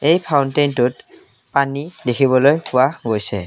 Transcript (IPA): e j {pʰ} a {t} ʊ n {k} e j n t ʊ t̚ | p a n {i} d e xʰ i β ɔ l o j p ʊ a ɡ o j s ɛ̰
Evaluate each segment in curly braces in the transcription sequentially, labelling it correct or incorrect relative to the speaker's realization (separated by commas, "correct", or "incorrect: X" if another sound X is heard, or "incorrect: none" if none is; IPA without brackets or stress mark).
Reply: correct, incorrect: none, incorrect: t, correct